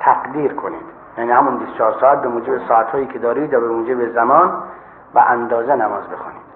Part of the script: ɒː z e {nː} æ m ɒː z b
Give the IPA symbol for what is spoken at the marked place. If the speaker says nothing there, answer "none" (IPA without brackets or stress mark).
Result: n